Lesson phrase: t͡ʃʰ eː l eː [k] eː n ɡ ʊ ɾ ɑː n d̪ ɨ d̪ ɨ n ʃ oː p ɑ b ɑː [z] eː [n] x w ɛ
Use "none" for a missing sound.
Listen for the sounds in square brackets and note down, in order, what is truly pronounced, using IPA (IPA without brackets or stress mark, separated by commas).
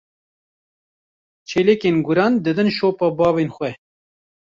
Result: k, v, n